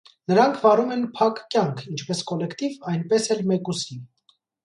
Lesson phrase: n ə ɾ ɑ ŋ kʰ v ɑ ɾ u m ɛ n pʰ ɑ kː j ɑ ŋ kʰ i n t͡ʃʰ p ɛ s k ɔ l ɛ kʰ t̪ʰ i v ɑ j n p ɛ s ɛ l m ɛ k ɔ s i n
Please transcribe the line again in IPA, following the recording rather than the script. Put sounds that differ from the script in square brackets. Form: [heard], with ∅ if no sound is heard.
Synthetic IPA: n ə ɾ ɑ ŋ kʰ v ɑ ɾ u m ɛ n pʰ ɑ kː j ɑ ŋ kʰ i n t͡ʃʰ p ɛ s k ɔ l ɛ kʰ [t̪] i v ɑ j n p ɛ s ɛ l m ɛ k [u] s i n